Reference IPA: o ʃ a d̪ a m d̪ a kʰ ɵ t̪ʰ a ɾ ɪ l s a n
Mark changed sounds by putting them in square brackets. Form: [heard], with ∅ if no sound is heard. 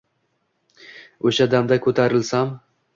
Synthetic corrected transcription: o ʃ a d̪ a m d̪ a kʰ ɵ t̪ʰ a ɾ ɪ l s a [m]